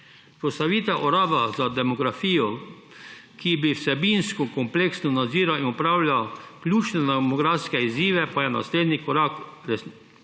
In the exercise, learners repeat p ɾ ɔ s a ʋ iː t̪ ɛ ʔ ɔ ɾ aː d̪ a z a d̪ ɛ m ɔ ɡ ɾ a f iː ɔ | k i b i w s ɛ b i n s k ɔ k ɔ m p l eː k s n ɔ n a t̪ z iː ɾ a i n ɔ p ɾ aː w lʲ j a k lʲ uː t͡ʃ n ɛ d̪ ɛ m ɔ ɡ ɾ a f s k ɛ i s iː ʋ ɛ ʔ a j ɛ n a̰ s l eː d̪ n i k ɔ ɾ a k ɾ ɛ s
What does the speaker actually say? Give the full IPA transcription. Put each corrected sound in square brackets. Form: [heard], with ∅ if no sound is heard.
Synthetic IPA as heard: p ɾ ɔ s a ʋ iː t̪ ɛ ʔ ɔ ɾ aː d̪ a z a d̪ ɛ m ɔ ɡ ɾ a f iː ɔ | k i b i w s ɛ b i n s k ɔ k ɔ m p l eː k s n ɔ n a [d̪] z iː ɾ a i n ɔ p ɾ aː w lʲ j a k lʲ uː t͡ʃ n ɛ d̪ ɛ m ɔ ɡ ɾ a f s k ɛ i [z] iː ʋ ɛ [p] a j ɛ n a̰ s l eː d̪ n i k ɔ ɾ a k ɾ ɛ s